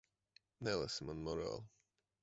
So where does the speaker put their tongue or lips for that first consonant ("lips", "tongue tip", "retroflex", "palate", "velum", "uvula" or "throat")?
tongue tip